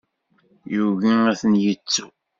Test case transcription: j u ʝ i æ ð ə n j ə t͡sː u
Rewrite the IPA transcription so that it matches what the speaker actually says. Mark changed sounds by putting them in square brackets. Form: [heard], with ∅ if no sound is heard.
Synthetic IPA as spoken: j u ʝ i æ [θ] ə n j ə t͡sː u